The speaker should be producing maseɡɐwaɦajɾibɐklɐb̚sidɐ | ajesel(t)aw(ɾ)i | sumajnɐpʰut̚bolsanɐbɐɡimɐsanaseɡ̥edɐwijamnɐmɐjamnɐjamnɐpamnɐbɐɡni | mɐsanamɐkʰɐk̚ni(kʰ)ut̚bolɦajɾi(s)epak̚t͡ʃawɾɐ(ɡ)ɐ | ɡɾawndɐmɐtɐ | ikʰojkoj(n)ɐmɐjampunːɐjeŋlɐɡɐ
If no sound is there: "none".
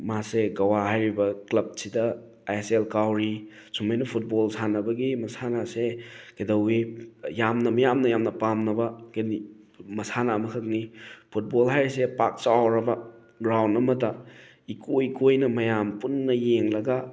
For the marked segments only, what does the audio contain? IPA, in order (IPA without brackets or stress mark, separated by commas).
k, ɾ, pʰ, s, b, n